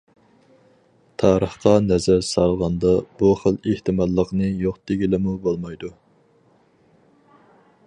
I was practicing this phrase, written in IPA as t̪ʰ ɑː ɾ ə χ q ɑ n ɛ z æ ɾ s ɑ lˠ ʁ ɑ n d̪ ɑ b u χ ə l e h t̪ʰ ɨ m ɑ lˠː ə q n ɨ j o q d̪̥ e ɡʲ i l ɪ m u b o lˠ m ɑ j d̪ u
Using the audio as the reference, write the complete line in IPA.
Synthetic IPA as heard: t̪ʰ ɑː ɾ ə χ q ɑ n ɛ z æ ɾ s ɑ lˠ ʁ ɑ n d̪ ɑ b u χ ə l e h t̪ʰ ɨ m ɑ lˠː ə q n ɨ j o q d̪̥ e ɡʲ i l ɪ m u b o lˠ m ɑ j d̪ u